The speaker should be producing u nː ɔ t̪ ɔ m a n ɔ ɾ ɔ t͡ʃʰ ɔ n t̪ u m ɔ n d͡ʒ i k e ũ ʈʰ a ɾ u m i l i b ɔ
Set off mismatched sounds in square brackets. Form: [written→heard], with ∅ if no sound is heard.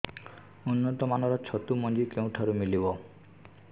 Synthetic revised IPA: u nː ɔ t̪ ɔ m a n ɔ ɾ ɔ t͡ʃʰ ɔ [n→∅] t̪ u m ɔ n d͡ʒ i k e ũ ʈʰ a ɾ u m i l i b ɔ